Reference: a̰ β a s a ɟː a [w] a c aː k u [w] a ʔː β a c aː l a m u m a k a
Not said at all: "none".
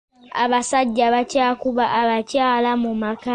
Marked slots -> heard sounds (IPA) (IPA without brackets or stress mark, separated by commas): β, β